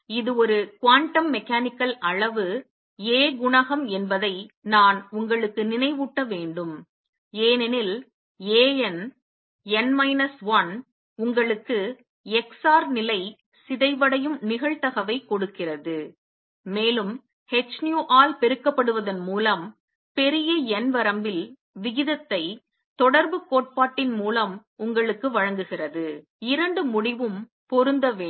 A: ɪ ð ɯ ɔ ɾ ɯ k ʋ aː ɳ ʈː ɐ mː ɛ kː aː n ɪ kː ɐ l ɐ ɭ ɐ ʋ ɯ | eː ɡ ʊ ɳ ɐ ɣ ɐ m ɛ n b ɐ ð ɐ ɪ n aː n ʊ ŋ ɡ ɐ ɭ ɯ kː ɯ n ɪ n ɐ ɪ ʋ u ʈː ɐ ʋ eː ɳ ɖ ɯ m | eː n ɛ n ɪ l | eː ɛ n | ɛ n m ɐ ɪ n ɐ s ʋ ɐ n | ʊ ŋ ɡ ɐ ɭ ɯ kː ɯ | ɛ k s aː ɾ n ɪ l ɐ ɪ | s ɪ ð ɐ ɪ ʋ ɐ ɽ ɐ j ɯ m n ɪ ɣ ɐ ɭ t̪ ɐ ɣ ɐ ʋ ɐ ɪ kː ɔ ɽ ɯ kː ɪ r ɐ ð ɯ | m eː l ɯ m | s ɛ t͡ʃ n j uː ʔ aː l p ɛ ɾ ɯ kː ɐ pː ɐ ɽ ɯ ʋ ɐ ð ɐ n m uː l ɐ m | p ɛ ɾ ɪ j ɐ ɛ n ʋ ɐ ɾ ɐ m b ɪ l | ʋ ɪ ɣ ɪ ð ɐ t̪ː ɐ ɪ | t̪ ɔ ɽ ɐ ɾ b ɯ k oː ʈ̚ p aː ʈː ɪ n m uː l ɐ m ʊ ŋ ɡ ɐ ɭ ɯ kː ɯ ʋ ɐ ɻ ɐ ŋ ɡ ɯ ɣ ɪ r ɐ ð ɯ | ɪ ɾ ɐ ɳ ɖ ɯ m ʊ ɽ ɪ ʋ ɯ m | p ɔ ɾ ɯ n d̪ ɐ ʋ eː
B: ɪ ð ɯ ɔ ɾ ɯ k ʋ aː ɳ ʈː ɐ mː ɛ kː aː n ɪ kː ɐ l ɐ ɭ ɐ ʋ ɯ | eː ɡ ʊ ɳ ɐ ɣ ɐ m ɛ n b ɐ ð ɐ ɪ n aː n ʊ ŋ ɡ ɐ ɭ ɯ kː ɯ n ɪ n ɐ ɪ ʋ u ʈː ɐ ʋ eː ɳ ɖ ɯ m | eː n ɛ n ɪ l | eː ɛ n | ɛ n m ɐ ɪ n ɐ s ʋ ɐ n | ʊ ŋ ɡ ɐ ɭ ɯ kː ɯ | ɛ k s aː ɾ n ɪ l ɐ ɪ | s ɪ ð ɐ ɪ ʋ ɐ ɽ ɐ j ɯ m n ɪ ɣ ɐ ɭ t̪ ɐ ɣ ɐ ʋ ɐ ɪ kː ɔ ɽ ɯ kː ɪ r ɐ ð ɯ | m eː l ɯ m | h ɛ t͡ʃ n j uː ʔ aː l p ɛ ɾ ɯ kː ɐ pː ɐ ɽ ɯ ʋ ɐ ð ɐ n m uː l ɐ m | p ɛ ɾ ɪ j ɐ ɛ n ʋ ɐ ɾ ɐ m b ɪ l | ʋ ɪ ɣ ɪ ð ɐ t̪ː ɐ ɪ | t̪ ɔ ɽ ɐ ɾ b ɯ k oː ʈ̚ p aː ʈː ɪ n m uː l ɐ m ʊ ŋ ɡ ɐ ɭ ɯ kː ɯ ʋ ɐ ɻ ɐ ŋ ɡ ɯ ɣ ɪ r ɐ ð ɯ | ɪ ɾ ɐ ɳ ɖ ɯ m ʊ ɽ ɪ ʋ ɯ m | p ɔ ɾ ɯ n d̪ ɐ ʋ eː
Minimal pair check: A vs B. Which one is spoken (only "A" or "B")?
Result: B